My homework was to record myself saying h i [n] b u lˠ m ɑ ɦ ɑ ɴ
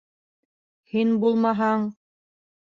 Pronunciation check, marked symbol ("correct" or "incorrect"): correct